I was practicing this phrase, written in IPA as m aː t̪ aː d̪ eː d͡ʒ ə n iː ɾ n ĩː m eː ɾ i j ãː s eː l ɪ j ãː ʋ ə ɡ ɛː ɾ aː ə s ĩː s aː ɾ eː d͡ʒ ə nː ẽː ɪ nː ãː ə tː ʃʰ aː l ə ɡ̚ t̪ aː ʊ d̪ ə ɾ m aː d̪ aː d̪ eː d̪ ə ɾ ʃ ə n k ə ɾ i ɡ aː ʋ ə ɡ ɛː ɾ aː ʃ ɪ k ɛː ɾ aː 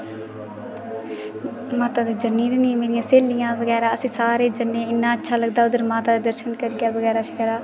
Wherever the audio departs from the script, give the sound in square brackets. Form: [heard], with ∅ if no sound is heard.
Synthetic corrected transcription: m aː t̪ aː d̪ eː d͡ʒ ə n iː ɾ n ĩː m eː ɾ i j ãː s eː l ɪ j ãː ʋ ə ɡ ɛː ɾ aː ə s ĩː s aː ɾ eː d͡ʒ ə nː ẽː ɪ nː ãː ə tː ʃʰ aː l ə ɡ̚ [d̪] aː ʊ d̪ ə ɾ m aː [t̪] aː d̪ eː d̪ ə ɾ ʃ ə n k ə ɾ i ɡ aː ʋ ə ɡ ɛː ɾ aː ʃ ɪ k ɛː ɾ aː

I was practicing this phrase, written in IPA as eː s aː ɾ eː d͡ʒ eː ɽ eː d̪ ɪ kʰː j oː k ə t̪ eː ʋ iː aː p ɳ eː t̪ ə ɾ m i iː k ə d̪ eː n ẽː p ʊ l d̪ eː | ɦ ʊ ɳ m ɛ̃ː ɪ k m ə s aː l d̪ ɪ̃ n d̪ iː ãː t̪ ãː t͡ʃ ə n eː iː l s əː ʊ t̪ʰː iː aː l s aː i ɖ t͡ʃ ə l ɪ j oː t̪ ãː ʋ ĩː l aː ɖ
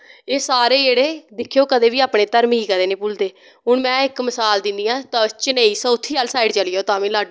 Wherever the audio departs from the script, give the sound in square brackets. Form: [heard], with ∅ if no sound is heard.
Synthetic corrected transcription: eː s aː ɾ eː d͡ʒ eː ɽ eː d̪ ɪ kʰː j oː k ə [d̪] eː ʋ iː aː p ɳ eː t̪ ə ɾ m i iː k ə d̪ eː n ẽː p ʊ l d̪ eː | ɦ ʊ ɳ m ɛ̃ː ɪ k m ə s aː l d̪ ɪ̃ n d̪ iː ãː t̪ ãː t͡ʃ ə n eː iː [∅] s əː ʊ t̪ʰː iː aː l s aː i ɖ t͡ʃ ə l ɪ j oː t̪ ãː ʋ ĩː l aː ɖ

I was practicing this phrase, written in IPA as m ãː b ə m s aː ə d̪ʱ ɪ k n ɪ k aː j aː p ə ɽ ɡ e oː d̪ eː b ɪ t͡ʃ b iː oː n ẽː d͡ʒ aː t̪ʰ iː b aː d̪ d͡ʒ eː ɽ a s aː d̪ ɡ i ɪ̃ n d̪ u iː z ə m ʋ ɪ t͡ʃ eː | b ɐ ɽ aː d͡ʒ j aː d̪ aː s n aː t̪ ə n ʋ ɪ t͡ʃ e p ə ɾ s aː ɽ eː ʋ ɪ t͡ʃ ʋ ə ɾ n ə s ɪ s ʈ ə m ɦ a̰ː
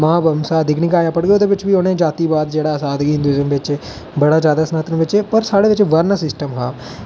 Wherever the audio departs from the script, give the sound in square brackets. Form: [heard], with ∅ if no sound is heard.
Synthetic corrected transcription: m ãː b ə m s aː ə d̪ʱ ɪ k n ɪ k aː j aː p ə ɽ ɡ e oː d̪ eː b ɪ t͡ʃ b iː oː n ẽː d͡ʒ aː [t̪] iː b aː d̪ d͡ʒ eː ɽ a s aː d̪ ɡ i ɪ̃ n d̪ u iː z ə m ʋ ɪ t͡ʃ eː | b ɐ ɽ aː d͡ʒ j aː d̪ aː s n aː t̪ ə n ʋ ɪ t͡ʃ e p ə ɾ s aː ɽ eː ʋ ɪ t͡ʃ ʋ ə ɾ n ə s ɪ s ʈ ə m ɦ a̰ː

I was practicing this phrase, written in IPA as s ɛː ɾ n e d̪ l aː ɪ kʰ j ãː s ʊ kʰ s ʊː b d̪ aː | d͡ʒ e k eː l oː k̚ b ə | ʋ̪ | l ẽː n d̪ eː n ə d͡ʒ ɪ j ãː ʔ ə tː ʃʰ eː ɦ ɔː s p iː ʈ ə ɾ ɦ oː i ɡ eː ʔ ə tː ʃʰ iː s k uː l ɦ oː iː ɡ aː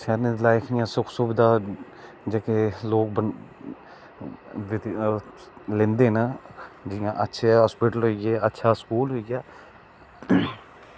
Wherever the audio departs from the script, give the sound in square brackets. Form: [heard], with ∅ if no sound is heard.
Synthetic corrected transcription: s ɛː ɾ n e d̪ l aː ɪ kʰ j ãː s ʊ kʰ s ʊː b d̪ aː | d͡ʒ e k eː l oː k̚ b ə | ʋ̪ | l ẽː n d̪ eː n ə d͡ʒ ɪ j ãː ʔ ə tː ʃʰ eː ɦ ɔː s p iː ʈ ə [l] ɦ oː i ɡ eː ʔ ə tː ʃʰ [aː] s k uː l ɦ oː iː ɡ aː

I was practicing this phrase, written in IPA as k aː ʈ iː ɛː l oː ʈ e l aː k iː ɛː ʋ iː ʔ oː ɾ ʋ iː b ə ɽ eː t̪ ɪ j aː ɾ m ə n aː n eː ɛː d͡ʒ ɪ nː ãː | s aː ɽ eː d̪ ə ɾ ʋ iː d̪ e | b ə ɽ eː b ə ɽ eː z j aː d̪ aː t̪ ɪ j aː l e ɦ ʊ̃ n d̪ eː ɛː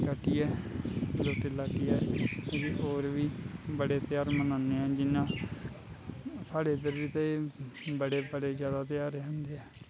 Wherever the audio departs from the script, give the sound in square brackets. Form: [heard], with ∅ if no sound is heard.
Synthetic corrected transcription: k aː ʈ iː ɛː l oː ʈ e l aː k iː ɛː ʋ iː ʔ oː ɾ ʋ iː b ə ɽ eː t̪ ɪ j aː ɾ m ə n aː n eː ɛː d͡ʒ ɪ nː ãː | s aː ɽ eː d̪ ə ɾ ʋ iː [t̪] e | b ə ɽ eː b ə ɽ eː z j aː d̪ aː t̪ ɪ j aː [ɾ] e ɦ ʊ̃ n d̪ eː ɛː

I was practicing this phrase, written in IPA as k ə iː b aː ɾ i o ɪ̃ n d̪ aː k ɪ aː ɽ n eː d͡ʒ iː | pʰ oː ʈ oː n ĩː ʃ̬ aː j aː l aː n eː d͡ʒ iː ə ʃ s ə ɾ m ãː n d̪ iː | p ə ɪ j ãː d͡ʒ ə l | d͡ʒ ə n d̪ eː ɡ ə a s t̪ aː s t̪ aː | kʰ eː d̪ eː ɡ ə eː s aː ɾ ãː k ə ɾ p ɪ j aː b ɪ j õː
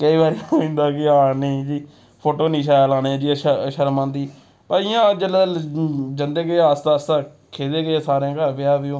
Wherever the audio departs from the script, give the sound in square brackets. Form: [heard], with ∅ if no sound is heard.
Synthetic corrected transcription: k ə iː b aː ɾ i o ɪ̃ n d̪ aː k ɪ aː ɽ n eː d͡ʒ iː | pʰ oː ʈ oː n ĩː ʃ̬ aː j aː l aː n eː d͡ʒ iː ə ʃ [ʃ] ə ɾ m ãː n d̪ iː | p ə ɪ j ãː d͡ʒ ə l | d͡ʒ ə n d̪ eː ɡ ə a s t̪ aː s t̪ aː | kʰ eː d̪ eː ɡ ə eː s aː ɾ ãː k ə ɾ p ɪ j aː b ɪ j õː

